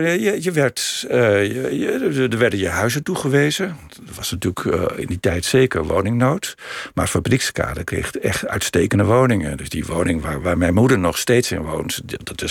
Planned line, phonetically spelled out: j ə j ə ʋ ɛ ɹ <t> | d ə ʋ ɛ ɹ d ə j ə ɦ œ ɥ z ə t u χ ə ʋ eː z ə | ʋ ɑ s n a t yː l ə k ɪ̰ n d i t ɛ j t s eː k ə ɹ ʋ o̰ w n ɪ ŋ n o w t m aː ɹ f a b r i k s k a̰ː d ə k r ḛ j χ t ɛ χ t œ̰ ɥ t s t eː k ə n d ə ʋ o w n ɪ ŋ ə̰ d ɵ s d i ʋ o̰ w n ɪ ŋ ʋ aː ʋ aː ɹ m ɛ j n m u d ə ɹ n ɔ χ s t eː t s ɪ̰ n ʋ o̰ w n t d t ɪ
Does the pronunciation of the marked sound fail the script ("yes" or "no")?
no